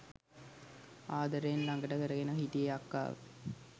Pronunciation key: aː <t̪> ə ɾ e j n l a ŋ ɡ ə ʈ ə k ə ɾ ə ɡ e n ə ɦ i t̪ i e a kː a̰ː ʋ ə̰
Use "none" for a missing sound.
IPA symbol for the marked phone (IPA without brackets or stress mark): d̪